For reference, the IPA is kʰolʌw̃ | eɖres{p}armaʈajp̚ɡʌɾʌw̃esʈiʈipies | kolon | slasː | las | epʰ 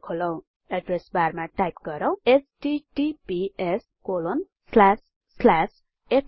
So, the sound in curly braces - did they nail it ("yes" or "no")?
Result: no